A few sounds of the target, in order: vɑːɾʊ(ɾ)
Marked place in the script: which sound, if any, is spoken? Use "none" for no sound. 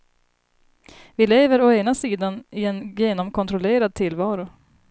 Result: none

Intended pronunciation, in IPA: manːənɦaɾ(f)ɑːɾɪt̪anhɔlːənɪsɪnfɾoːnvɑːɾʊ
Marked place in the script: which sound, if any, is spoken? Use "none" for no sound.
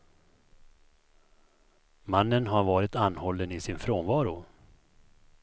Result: v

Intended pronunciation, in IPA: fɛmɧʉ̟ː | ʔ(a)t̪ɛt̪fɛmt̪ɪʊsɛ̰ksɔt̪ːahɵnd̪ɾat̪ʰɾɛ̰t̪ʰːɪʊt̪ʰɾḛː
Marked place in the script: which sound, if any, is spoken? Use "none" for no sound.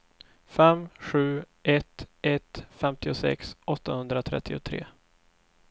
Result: ɛ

